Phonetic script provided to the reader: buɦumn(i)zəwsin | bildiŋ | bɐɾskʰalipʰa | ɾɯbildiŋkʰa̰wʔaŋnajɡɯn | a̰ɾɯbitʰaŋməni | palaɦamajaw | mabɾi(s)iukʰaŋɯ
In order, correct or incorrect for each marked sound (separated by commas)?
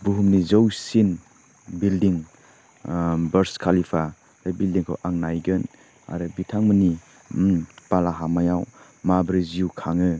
correct, incorrect